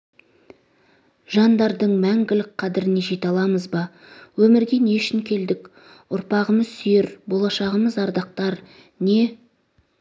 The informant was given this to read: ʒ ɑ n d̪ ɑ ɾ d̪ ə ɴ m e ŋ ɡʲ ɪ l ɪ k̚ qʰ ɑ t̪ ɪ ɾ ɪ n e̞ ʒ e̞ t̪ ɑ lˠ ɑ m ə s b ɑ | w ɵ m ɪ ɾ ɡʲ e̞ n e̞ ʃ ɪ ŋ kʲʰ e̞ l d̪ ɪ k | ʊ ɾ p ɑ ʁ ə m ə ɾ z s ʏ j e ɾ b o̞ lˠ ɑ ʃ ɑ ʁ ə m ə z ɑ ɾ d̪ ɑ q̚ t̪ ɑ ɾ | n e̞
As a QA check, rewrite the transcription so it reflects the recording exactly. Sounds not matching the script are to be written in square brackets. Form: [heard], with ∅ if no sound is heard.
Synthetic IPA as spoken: ʒ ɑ n d̪ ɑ ɾ d̪ ə ɴ m [æ] ŋ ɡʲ ɪ l ɪ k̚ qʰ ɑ [d̪] ɪ ɾ ɪ n e̞ ʒ e̞ t̪ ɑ lˠ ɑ m ə [z] b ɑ | w ɵ m ɪ ɾ ɡʲ e̞ n e̞ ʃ ɪ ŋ kʲʰ e̞ l d̪ ɪ k | ʊ ɾ p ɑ ʁ ə m ə [∅] z s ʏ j e ɾ b o̞ lˠ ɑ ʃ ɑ ʁ ə m ə z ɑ ɾ d̪ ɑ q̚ t̪ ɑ ɾ | n e̞